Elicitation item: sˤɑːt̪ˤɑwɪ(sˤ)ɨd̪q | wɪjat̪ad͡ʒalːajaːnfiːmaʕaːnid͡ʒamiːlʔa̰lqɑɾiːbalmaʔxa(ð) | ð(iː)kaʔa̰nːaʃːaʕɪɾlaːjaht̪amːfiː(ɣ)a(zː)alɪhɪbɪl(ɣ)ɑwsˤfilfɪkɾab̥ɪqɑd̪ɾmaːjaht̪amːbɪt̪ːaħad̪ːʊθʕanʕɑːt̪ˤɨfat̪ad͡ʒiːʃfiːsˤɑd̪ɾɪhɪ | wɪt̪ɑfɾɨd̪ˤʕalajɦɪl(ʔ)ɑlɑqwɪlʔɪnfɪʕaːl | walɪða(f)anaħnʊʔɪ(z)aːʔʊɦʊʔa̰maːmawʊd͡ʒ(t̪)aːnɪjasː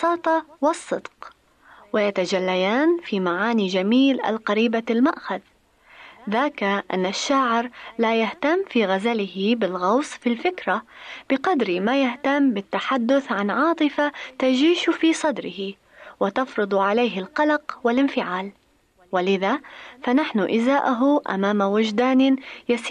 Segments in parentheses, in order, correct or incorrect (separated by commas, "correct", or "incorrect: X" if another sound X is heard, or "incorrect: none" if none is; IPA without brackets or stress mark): incorrect: sˤː, correct, incorrect: aː, correct, incorrect: z, correct, incorrect: q, correct, correct, incorrect: d̪